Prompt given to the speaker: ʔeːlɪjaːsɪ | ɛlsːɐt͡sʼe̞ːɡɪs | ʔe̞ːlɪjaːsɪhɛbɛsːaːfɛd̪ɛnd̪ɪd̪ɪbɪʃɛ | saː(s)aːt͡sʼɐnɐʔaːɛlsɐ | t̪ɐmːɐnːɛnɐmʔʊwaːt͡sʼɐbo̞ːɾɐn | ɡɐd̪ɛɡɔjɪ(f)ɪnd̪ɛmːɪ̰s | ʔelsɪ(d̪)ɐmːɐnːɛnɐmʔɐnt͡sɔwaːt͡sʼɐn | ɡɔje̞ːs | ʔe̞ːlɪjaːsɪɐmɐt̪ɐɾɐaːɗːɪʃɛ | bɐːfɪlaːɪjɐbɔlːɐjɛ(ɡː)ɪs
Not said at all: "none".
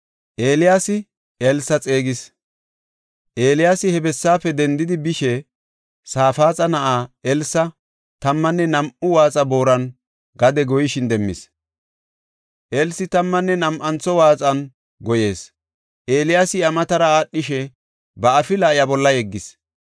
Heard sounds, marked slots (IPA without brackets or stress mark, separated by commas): f, ʃ, t̪, ɡː